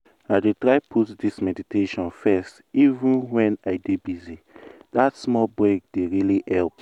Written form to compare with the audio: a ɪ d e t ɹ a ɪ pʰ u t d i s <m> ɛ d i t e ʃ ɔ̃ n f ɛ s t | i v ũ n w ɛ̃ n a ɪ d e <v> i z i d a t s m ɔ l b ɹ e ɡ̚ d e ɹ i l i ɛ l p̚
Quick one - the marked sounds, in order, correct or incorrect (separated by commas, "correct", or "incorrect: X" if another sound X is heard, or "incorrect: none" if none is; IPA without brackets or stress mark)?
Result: correct, incorrect: b